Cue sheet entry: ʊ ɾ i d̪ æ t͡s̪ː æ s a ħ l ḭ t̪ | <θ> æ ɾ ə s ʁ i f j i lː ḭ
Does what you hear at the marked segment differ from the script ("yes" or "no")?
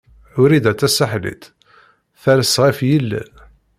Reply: no